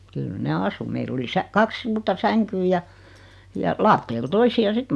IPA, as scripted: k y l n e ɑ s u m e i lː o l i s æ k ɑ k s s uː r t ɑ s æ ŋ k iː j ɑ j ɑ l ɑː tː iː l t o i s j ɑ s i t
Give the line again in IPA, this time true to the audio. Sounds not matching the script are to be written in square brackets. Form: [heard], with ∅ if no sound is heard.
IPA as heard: k y l n e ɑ s u m e i [l] o l i s æ k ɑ k s s uː r t ɑ s æ ŋ k [yː] j ɑ j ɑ l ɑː tː [eː] l t o i s [i] ɑ s i t